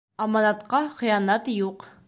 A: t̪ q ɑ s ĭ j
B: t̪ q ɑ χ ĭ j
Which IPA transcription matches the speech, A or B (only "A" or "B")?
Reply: B